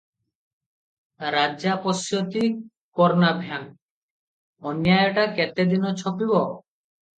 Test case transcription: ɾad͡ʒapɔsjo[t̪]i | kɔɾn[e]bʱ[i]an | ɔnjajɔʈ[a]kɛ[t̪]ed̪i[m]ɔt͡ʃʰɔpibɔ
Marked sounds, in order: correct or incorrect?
correct, incorrect: a, incorrect: j, correct, correct, incorrect: n

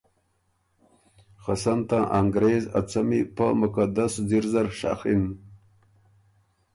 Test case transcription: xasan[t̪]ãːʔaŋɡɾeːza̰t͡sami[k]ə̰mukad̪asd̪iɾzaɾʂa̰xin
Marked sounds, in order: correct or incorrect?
correct, incorrect: p

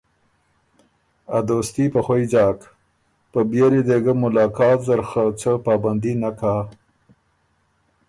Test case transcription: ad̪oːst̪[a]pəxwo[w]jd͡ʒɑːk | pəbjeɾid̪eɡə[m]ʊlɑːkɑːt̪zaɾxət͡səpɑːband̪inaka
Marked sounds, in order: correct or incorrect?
incorrect: i, incorrect: none, correct

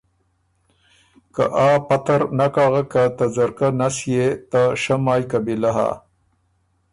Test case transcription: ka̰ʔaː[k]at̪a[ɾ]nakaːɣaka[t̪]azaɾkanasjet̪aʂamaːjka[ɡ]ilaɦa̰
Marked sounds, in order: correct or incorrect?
incorrect: p, correct, correct, incorrect: b

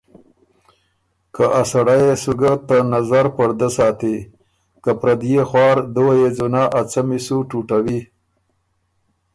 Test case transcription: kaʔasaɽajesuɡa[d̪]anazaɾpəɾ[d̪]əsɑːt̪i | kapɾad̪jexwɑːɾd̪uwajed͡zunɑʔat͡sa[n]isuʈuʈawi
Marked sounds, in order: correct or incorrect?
incorrect: t̪, correct, incorrect: m

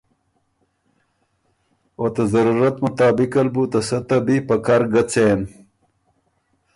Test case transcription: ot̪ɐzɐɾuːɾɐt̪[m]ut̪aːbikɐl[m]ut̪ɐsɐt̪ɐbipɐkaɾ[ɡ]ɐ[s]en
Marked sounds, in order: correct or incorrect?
correct, incorrect: b, correct, incorrect: t͡s

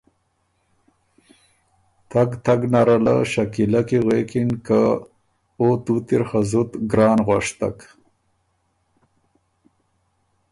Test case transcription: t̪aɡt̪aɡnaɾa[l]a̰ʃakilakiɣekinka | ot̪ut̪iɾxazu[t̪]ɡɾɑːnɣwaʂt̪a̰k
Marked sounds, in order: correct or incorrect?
correct, correct

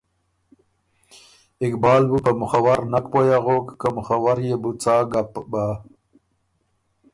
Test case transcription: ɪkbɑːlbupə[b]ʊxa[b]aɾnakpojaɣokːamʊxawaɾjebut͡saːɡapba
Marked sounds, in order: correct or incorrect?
incorrect: m, incorrect: w

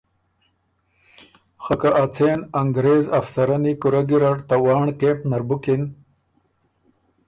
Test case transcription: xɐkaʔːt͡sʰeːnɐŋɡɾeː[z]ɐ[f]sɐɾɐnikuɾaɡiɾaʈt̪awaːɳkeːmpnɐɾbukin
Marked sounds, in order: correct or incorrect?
correct, correct

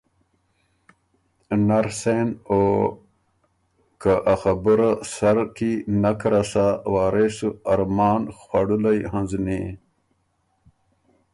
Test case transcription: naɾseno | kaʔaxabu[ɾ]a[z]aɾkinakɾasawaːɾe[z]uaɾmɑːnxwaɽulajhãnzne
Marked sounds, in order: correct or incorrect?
correct, incorrect: s, incorrect: s

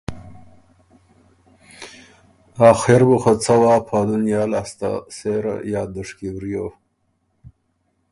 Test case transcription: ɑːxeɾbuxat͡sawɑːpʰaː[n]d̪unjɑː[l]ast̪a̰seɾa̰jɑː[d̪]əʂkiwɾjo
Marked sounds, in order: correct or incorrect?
incorrect: none, correct, correct

